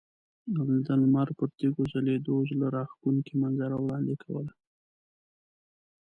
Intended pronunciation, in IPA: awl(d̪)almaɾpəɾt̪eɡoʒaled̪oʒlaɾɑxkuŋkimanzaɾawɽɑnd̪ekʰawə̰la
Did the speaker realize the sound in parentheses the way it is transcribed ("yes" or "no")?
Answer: yes